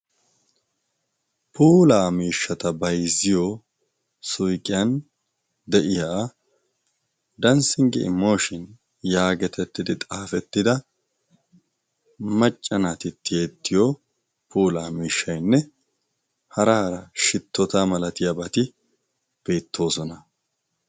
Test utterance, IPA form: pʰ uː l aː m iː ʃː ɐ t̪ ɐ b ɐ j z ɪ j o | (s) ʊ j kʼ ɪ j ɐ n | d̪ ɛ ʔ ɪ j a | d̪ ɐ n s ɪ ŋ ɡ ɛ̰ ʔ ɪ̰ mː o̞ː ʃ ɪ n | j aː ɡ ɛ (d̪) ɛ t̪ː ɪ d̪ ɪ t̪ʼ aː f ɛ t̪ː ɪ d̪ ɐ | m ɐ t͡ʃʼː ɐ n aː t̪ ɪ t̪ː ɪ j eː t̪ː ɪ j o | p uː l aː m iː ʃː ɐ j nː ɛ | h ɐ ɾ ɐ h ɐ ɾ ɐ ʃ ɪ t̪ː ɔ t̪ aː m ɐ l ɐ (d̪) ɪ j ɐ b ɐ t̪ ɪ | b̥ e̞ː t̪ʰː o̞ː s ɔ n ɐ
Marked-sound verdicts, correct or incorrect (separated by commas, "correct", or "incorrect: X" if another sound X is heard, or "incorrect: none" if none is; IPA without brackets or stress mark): correct, incorrect: t̪, incorrect: t̪